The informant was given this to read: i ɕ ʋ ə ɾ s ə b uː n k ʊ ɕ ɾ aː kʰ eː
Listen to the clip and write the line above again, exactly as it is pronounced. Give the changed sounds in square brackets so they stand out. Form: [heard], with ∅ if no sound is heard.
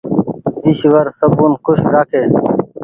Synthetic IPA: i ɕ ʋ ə ɾ s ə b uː n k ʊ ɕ ɾ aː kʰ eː